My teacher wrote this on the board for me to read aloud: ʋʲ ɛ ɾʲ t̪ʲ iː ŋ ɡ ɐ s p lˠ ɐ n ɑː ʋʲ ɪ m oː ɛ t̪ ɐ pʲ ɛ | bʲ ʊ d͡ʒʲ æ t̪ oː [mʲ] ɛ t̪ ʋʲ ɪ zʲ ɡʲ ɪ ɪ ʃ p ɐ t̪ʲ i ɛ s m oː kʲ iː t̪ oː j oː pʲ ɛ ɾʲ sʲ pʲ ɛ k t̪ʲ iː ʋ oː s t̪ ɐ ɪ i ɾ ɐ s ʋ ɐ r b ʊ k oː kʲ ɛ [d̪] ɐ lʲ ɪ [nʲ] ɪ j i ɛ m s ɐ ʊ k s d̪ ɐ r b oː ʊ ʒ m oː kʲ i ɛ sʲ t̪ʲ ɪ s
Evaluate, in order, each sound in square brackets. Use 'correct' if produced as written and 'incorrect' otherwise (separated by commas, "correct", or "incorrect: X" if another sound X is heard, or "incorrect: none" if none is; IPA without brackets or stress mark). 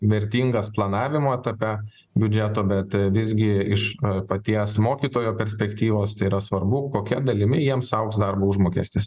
incorrect: bʲ, correct, incorrect: mʲ